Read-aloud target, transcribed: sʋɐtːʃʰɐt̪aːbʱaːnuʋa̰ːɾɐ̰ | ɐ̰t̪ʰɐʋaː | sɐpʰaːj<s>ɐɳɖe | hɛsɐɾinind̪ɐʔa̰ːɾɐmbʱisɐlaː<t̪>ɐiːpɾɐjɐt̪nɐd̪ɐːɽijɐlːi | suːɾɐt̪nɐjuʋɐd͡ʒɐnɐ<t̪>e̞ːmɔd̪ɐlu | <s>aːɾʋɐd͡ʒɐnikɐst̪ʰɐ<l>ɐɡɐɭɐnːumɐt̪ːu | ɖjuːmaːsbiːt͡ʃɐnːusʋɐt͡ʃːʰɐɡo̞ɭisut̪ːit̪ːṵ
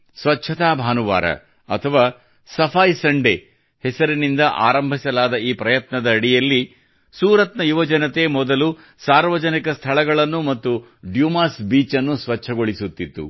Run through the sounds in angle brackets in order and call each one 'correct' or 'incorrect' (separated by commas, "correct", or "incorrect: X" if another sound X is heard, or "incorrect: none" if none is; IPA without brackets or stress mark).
correct, incorrect: d̪, correct, correct, incorrect: ɭ